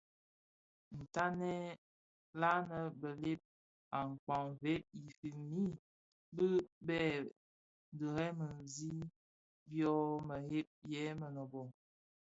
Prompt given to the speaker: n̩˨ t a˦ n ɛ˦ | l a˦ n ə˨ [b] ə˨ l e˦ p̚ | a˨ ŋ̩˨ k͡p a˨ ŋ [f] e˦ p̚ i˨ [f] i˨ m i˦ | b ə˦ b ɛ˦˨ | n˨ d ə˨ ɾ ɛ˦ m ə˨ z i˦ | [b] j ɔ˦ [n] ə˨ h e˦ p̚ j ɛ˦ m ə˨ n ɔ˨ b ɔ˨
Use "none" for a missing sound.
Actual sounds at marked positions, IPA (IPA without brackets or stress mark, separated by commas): b, v, f, b, m